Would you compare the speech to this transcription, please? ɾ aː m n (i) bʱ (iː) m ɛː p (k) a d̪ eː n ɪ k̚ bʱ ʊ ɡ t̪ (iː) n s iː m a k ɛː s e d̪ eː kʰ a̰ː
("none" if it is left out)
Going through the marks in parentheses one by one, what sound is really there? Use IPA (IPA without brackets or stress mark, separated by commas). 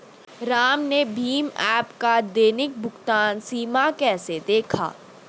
e, iː, k, aː